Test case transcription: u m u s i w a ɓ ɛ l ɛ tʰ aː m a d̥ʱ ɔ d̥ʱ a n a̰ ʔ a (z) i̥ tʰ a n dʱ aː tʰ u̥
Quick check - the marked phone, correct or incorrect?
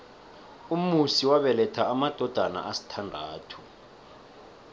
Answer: incorrect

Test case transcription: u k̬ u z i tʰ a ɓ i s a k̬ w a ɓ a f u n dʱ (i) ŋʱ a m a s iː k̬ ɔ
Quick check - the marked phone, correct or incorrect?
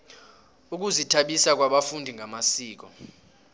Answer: correct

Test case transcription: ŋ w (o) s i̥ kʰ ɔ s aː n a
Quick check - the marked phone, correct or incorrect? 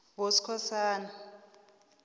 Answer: correct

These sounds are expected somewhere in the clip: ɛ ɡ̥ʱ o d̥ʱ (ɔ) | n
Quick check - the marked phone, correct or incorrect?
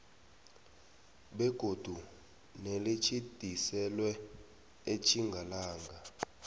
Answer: incorrect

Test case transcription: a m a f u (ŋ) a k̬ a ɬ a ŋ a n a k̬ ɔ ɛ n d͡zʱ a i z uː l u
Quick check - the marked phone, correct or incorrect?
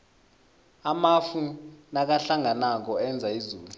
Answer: incorrect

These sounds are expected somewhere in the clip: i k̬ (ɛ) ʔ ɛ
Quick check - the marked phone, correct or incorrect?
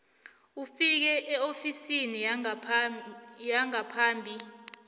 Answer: correct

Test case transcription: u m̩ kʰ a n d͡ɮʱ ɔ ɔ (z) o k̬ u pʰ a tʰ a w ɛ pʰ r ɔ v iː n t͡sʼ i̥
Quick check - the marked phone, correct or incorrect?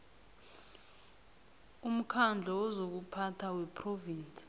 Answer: correct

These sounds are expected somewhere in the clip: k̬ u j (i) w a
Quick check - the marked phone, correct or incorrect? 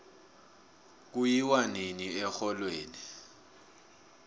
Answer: correct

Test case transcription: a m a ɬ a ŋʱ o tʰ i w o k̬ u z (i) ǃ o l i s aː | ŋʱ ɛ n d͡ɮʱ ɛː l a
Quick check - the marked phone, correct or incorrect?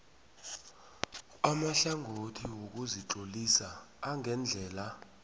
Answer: correct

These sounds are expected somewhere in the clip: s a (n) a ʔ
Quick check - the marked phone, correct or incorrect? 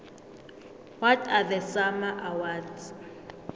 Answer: incorrect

